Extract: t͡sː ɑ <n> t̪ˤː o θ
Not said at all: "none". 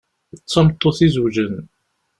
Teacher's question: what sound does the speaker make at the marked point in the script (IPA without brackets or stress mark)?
m